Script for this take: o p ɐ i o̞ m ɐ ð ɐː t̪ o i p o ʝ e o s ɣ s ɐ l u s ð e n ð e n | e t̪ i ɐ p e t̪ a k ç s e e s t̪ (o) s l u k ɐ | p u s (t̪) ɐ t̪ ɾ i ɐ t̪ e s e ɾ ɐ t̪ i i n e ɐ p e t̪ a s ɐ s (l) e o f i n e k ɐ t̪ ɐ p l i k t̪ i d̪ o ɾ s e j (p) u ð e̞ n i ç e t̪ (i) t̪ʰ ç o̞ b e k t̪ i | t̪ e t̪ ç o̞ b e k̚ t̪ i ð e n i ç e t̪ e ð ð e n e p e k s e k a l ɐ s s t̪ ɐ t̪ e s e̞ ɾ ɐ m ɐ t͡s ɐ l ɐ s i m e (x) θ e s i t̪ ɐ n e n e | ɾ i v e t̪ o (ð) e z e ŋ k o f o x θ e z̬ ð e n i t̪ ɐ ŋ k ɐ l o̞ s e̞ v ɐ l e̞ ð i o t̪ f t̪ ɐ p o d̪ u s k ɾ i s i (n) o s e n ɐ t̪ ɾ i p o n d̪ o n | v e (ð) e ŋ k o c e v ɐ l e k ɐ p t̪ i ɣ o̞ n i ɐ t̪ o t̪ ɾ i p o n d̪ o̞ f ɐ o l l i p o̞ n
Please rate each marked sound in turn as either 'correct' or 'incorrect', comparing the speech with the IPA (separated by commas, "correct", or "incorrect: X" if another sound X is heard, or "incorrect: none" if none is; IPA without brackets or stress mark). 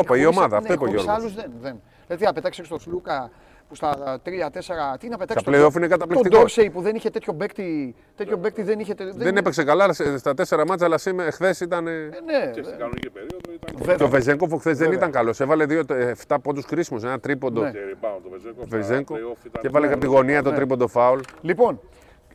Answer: correct, correct, correct, correct, incorrect: e, correct, incorrect: v, incorrect: m, incorrect: z